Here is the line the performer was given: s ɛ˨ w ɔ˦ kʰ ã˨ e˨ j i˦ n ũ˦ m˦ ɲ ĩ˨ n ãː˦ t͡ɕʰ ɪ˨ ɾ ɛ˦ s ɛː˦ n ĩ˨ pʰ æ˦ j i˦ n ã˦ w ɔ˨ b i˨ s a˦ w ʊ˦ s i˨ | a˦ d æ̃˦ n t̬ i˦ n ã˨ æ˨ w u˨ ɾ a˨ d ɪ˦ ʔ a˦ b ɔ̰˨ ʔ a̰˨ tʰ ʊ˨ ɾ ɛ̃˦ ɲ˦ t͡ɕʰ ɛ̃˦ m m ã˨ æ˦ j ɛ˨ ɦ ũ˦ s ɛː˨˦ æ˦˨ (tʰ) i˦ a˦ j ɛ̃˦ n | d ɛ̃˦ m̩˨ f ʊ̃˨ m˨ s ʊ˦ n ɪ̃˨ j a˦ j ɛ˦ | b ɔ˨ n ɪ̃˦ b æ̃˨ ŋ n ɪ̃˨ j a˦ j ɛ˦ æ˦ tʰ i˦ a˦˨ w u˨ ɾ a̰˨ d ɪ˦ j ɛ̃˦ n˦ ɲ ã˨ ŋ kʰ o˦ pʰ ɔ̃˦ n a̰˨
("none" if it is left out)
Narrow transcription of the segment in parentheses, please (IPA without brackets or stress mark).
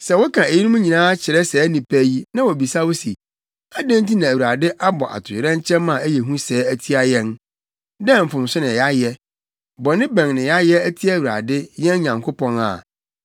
tʰ